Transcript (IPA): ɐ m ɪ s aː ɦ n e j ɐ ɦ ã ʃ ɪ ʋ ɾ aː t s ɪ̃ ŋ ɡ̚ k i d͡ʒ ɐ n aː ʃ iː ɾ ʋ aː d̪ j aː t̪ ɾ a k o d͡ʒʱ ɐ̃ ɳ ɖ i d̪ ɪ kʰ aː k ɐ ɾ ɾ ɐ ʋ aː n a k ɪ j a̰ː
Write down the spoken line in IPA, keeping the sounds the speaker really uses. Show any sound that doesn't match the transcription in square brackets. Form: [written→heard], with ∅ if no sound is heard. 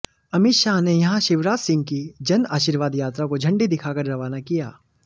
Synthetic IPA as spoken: ɐ m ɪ [s→ʃ] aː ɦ n e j ɐ ɦ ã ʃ ɪ ʋ ɾ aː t s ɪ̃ ŋ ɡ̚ k i d͡ʒ ɐ n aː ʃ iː ɾ ʋ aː d̪ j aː t̪ ɾ a k o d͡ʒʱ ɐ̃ ɳ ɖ i d̪ ɪ kʰ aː k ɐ ɾ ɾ ɐ ʋ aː n a k [ɪ→i] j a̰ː